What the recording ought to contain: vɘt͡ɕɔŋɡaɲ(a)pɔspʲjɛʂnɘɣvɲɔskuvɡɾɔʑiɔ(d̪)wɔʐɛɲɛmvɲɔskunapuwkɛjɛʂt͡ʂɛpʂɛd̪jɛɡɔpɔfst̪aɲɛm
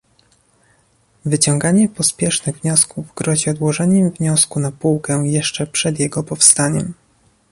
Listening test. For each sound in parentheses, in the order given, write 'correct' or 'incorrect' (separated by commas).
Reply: incorrect, correct